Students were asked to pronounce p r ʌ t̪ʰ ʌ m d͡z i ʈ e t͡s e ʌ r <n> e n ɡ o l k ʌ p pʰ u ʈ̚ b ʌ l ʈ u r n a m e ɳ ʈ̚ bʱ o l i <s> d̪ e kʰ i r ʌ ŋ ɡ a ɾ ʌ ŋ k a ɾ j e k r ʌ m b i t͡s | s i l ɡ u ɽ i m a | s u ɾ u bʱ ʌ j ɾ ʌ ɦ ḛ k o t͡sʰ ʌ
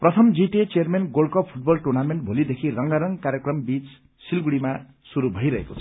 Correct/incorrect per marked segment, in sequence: incorrect, incorrect

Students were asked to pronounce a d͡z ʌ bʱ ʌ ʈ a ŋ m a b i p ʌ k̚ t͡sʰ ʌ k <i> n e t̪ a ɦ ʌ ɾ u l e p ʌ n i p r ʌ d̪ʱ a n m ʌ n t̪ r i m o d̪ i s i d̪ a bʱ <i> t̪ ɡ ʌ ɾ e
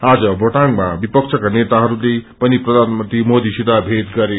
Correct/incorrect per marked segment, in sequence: incorrect, incorrect

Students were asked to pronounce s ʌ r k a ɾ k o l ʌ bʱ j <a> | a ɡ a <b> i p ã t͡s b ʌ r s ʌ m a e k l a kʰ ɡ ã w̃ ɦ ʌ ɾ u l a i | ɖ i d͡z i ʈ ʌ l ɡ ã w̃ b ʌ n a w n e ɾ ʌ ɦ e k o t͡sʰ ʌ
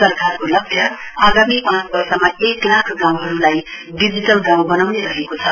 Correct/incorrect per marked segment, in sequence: incorrect, incorrect

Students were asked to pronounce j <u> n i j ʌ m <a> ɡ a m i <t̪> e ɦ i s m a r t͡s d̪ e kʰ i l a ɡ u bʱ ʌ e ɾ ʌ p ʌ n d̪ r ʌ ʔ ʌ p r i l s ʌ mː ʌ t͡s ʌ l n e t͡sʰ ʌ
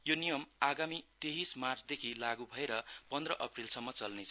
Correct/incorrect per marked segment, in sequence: incorrect, correct, correct

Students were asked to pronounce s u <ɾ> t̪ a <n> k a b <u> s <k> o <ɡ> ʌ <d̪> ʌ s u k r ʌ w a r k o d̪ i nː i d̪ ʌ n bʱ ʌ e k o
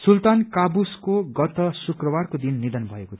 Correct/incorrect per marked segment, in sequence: incorrect, correct, correct, correct, correct, incorrect

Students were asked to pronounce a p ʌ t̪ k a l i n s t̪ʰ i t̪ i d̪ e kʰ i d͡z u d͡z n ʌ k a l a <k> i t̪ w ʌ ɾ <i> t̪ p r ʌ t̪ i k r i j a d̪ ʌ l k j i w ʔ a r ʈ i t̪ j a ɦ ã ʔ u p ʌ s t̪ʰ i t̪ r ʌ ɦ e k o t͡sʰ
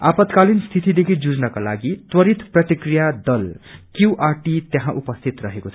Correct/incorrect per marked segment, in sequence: incorrect, correct

